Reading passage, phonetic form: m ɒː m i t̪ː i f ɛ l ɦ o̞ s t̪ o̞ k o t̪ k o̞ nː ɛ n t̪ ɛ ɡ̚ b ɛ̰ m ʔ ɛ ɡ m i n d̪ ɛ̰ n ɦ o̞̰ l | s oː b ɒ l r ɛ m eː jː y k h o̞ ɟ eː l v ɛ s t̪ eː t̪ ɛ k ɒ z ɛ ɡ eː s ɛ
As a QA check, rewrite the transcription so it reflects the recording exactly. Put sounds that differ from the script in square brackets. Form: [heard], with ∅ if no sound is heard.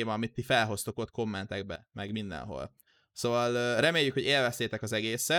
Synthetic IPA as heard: m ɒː m i t̪ː i f ɛ l ɦ o̞ s t̪ o̞ k o t̪ k o̞ [mː] ɛ n t̪ ɛ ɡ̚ b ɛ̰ m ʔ ɛ ɡ m i n d̪ ɛ̰ n ɦ o̞̰ l | s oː [v] ɒ l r ɛ m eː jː y k h o̞ ɟ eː l v ɛ s t̪ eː t̪ ɛ k ɒ z ɛ ɡ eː s ɛ